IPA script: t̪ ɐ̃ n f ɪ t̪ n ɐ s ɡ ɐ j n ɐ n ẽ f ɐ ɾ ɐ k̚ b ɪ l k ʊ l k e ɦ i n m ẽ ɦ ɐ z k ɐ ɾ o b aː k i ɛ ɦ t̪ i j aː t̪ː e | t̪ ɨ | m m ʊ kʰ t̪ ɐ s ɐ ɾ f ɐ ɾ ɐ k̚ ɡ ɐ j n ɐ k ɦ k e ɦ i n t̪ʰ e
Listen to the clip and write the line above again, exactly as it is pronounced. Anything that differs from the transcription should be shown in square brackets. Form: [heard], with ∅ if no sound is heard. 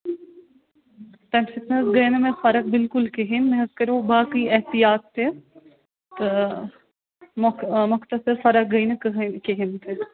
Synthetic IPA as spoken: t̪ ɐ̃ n f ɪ t̪ n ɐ s ɡ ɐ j n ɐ [m] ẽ f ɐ ɾ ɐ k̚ b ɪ l k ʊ l k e ɦ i n m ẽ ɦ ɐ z k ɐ ɾ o b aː k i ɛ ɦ t̪ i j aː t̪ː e | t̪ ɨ | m m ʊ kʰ t̪ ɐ s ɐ ɾ f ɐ ɾ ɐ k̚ ɡ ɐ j n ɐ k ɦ k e ɦ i n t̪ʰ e

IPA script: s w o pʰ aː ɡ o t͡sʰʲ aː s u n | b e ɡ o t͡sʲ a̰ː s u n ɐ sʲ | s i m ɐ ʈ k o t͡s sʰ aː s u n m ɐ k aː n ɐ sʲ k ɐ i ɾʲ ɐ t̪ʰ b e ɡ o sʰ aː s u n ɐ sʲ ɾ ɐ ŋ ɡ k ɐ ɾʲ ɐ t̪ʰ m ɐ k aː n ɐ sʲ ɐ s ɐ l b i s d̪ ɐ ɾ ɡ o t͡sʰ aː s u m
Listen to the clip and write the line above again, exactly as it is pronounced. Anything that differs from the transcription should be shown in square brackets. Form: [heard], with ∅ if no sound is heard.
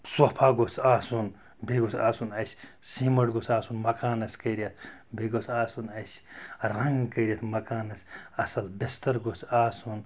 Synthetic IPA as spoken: s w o pʰ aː ɡ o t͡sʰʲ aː s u n | b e ɡ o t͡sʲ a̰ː s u n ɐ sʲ | s i m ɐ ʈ [ɡ] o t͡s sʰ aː s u n m ɐ k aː n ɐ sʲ k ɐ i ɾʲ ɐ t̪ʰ b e ɡ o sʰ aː s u n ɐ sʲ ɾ ɐ ŋ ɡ k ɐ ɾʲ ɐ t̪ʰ m ɐ k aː n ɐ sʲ ɐ s ɐ l b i s [t̪] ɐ ɾ ɡ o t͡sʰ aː s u [n]

